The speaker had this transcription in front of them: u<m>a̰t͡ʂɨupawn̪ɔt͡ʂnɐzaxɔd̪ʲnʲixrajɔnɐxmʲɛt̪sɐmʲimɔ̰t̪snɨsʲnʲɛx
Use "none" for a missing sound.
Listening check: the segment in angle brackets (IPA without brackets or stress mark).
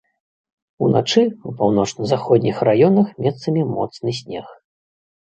n